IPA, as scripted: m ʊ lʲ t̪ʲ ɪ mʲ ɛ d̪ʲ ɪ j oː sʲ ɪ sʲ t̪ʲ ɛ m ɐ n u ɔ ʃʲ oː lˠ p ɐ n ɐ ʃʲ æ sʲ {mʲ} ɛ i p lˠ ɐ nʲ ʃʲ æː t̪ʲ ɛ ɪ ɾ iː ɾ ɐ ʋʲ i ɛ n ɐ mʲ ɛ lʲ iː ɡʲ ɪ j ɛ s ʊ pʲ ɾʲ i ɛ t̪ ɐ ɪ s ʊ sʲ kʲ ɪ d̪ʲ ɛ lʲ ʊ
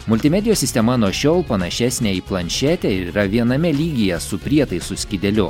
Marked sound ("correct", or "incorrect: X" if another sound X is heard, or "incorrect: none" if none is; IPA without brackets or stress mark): incorrect: nʲ